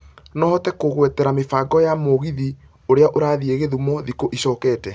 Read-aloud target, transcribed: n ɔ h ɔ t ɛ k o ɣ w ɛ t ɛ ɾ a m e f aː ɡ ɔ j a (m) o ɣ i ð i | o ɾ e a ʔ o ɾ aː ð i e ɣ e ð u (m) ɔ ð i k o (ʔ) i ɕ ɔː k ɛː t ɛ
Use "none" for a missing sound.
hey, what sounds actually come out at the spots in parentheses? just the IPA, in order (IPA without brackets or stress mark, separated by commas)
m, m, ʔ